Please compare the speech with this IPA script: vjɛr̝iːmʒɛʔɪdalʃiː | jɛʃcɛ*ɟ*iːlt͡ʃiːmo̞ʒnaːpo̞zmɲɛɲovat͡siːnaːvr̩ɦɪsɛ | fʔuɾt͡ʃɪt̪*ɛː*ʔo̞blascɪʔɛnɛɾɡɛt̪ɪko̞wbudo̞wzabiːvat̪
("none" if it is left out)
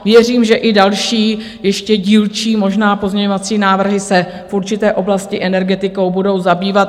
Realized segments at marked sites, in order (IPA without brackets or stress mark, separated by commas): ɟ, ɛː